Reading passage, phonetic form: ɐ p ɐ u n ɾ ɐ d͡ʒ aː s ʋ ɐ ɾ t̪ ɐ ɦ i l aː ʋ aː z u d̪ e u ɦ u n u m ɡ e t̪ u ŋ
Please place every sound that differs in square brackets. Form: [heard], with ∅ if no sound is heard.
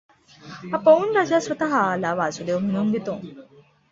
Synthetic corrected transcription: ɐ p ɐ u n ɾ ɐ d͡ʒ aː s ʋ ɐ [∅] t̪ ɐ ɦ [a] l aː ʋ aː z u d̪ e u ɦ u n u [ŋ] ɡ e t̪ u ŋ